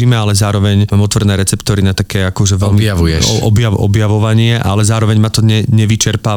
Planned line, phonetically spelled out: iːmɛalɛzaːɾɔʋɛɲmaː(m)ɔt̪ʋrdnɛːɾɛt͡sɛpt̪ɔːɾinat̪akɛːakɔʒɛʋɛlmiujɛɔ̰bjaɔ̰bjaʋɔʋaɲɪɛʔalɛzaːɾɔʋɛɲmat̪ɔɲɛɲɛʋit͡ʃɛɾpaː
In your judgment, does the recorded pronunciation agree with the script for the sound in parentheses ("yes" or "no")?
yes